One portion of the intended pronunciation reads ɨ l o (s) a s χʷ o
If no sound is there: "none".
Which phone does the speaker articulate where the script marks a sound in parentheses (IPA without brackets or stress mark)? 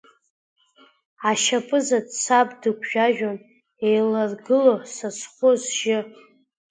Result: s